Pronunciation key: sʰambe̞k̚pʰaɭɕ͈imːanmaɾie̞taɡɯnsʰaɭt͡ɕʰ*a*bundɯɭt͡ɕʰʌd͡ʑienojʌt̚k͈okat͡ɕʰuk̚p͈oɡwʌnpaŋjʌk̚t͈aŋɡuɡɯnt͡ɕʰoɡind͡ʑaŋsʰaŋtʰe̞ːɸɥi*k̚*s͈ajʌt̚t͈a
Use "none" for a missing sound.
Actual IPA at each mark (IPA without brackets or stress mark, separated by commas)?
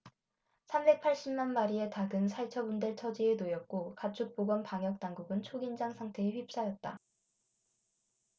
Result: ʌ, p̚